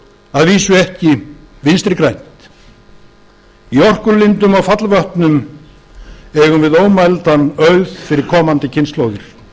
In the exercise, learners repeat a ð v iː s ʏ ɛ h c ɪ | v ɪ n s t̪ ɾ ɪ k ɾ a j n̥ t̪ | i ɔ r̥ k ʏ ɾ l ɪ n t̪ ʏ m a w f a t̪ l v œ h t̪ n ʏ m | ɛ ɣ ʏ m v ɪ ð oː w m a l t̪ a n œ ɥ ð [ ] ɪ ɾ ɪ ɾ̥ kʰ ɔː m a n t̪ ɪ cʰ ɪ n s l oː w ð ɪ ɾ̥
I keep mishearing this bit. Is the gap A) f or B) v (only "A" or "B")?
A